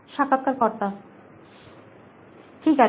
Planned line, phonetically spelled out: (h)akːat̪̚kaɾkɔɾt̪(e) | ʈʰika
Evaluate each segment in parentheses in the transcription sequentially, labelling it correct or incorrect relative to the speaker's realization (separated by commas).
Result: incorrect, incorrect